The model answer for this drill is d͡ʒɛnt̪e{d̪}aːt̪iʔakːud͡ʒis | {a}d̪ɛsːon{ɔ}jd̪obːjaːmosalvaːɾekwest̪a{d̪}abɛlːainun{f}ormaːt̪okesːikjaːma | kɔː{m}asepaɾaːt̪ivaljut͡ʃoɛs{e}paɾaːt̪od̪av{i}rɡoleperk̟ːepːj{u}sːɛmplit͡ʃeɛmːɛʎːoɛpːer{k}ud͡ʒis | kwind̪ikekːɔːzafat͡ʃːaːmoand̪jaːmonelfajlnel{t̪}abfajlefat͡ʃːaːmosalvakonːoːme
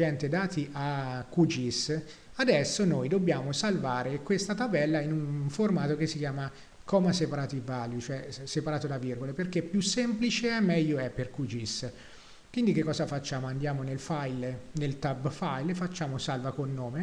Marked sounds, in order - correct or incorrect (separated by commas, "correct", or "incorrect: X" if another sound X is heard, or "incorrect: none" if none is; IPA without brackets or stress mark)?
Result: correct, correct, incorrect: o, incorrect: t̪, correct, correct, correct, correct, correct, correct, correct